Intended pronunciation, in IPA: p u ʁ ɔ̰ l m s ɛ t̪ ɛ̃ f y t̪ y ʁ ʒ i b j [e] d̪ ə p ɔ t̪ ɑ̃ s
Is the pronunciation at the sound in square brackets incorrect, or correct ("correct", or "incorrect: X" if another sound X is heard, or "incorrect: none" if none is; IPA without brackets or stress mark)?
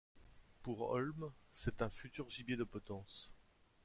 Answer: correct